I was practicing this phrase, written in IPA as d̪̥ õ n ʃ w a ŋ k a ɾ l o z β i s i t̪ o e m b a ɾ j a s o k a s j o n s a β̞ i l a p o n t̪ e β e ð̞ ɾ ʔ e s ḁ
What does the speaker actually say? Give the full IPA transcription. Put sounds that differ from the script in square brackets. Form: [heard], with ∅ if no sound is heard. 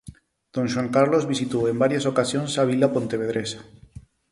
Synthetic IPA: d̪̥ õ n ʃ w a ŋ k a ɾ l o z β i s i t̪ o e m b a ɾ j a s o k a s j o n s a β̞ i l a p o n t̪ e β e ð̞ ɾ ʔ e s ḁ